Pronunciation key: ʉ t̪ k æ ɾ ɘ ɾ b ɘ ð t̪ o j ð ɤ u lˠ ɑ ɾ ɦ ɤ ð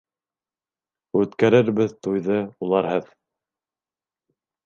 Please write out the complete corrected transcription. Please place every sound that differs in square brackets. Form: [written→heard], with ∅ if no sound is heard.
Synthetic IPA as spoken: ʉ t̪ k æ ɾ ɘ ɾ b ɘ ð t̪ [o→u] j ð ɤ u lˠ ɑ ɾ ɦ ɤ ð